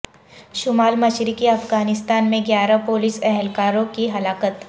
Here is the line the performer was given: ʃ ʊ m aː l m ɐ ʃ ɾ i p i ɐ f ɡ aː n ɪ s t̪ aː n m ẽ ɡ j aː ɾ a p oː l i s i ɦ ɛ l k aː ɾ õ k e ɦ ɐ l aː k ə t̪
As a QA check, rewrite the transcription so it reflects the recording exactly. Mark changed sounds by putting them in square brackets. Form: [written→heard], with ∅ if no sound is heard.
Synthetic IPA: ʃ ʊ m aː l m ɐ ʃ ɾ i [p→k] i ɐ f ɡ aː n ɪ s t̪ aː n m ẽ ɡ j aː ɾ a p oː l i s [i→ɛ] ɦ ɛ l k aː ɾ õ k [e→i] ɦ ɐ l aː k ə t̪

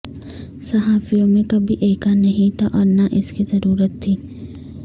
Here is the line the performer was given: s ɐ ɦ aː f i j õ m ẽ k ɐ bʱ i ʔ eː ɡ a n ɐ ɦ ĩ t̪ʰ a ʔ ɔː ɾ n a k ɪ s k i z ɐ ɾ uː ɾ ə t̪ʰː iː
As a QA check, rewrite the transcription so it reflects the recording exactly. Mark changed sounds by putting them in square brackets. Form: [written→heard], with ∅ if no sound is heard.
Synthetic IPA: s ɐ ɦ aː f i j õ m ẽ k ɐ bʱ i ʔ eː [ɡ→k] a n ɐ ɦ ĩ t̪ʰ a ʔ ɔː ɾ n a [k→ʔ] ɪ s k i z ɐ ɾ uː ɾ ə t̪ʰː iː

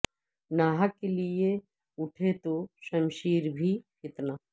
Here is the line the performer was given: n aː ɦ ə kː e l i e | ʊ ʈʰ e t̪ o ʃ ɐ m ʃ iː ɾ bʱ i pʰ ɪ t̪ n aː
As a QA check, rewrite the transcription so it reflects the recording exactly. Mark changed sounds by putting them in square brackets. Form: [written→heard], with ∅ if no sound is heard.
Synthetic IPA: n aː ɦ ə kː e l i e | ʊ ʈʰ e t̪ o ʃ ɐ m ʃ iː ɾ bʱ i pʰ ɪ t̪ n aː

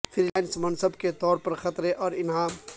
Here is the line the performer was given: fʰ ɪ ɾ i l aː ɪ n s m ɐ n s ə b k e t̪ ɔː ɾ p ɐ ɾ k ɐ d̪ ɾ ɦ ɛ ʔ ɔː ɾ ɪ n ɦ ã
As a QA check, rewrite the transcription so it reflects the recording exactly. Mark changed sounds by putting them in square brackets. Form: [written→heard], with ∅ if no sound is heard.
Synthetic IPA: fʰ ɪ ɾ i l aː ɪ n s m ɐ n s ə b k e t̪ ɔː ɾ p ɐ ɾ [k→x] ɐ [d̪→t̪] ɾ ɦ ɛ ʔ ɔː ɾ ɪ n ɦ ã

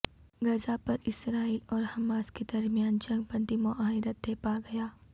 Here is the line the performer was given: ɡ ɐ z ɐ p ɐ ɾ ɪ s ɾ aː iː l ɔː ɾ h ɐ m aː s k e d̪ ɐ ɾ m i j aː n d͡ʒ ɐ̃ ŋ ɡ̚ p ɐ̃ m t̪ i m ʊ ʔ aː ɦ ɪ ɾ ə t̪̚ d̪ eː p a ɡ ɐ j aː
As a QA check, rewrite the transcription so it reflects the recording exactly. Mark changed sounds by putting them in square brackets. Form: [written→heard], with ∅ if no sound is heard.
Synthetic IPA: ɡ ɐ z [ɐ→a] p ɐ ɾ ɪ s ɾ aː iː l ɔː ɾ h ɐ m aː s k e d̪ ɐ ɾ m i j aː n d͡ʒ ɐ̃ ŋ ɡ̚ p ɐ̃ [m→n] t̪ i m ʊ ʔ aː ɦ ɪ ɾ ə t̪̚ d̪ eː p a ɡ ɐ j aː

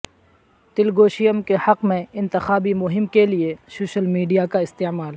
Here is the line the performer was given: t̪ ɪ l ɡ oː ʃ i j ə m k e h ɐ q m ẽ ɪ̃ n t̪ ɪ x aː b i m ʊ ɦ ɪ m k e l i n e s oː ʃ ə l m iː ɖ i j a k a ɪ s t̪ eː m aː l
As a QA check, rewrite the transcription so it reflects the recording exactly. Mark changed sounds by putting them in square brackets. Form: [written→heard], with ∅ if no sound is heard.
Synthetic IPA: t̪ ɪ l ɡ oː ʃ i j ə m k e h ɐ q m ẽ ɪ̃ n t̪ ɪ x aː b i m ʊ ɦ ɪ m k e l i [n→∅] e s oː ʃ ə l m iː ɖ i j a k a ɪ s t̪ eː m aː l

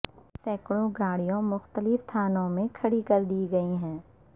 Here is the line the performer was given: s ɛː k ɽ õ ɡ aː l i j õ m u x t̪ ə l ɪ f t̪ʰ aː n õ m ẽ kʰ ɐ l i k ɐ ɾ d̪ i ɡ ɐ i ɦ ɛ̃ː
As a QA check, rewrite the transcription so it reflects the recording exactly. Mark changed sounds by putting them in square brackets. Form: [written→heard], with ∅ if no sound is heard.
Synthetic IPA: s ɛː k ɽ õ ɡ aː [l→ɽ] i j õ m [u→ʊ] x t̪ ə l ɪ f t̪ʰ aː n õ m ẽ kʰ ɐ [l→ɽ] i k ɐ ɾ d̪ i ɡ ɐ i ɦ ɛ̃ː

